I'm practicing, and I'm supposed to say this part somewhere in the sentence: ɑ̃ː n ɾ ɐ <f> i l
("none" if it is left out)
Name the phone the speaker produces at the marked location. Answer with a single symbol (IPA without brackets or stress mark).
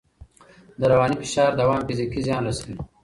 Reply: s